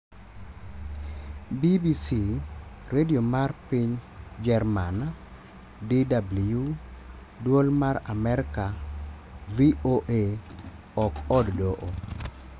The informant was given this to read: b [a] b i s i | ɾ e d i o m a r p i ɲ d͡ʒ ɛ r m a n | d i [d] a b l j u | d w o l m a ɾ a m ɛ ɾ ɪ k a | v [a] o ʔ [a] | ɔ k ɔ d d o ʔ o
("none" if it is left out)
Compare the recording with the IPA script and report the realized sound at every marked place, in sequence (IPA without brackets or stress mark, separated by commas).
i, d, i, e